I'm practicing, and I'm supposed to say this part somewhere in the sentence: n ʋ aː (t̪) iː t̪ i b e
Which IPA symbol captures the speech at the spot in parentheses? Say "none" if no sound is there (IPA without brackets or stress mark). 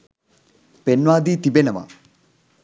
d̪